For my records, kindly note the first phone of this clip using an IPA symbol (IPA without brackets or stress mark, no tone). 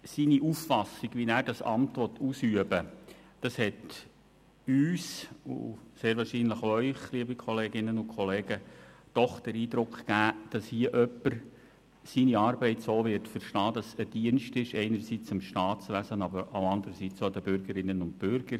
s